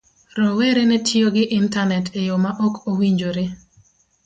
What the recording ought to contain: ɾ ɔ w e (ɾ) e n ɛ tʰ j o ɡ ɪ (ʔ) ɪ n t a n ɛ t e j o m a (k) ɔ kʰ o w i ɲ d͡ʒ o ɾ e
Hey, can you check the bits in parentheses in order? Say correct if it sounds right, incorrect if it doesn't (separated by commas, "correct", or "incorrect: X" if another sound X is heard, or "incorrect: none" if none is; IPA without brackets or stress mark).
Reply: correct, correct, incorrect: ʔ